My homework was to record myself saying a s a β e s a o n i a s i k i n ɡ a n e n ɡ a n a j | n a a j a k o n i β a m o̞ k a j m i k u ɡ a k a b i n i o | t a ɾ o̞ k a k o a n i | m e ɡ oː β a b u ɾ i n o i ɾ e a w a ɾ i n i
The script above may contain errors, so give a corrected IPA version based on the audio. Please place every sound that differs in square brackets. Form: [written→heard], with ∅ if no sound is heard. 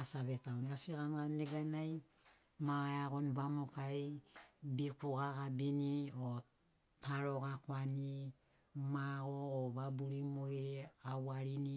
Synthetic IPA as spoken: a s a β e [s→t] a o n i a s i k [i→a] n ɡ a n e [n→∅] ɡ a n a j | [n→m] a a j a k o n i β a m o̞ k a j [m→b] i k u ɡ a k a b i n i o | t a ɾ o̞ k a k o a n i | m [e→a] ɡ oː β a b u ɾ i [n→m] o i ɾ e a w a ɾ i n i